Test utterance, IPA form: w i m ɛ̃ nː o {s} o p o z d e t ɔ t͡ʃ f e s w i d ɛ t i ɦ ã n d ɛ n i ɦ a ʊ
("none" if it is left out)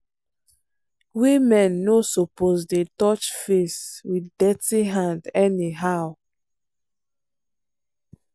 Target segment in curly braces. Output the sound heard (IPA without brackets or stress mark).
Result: s